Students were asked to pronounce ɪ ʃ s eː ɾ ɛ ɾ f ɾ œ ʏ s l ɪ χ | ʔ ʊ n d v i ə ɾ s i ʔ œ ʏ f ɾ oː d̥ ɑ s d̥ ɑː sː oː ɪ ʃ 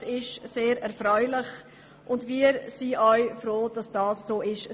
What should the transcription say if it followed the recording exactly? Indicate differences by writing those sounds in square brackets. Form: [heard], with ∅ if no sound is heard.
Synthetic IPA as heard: ɪ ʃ s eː ɾ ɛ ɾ f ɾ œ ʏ [∅] l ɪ χ | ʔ ʊ n d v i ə ɾ s i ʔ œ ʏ f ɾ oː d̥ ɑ s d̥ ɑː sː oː ɪ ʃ